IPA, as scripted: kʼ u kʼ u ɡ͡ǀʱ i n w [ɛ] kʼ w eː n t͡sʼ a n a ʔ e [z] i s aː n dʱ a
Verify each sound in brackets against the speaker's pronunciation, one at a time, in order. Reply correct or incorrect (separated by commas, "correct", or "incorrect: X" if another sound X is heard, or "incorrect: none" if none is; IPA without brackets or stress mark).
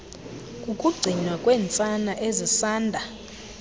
incorrect: a, correct